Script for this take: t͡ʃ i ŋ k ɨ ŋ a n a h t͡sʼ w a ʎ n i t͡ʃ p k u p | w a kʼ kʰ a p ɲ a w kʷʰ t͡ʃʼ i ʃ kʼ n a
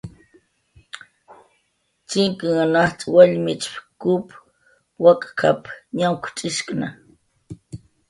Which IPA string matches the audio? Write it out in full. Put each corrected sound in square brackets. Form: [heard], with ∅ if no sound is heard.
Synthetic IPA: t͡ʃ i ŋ k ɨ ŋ a n a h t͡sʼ w a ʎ [m] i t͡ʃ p k u p | w a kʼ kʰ a p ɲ a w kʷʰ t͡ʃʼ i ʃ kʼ n a